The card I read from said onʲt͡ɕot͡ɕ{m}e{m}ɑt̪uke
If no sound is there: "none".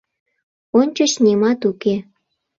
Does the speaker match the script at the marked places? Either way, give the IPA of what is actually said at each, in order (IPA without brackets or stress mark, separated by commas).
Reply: n, m